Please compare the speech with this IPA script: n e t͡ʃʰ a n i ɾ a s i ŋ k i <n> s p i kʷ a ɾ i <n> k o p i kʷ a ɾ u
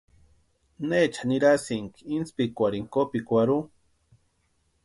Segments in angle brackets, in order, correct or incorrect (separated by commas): correct, incorrect